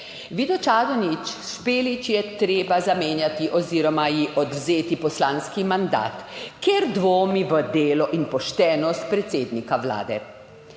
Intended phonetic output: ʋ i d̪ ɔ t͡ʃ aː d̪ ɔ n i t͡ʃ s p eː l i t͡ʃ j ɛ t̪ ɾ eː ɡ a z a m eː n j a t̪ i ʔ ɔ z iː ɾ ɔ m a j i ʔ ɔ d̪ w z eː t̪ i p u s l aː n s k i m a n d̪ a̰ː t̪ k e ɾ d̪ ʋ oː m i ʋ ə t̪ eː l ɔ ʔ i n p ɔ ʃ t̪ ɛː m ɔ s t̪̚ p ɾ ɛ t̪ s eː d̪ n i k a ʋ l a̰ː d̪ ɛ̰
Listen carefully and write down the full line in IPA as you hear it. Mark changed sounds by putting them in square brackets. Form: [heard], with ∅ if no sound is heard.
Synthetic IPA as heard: ʋ i d̪ ɔ t͡ʃ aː d̪ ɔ n i t͡ʃ s p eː l i t͡ʃ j ɛ t̪ ɾ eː [b] a z a m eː n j a t̪ i ʔ ɔ z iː ɾ ɔ m a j i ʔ ɔ d̪ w z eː t̪ i p [ɔ] s l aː n s k i m a n d̪ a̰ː t̪ k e ɾ d̪ ʋ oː m i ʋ ə [d̪] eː l ɔ ʔ i n p ɔ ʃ t̪ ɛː [n] ɔ s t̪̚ p ɾ ɛ t̪ s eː d̪ n i k a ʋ l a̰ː d̪ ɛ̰